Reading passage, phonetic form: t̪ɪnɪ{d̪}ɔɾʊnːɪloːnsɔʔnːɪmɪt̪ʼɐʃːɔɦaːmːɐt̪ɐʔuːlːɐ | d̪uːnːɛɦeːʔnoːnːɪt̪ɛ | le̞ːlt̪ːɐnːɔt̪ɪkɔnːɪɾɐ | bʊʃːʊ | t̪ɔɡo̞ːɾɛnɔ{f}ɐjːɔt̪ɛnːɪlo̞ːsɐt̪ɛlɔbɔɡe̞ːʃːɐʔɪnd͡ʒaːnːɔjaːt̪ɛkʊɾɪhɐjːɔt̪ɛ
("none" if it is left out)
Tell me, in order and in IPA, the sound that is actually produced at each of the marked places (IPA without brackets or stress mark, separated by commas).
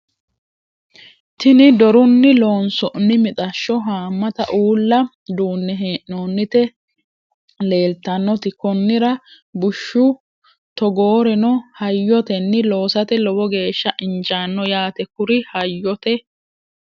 d̪, h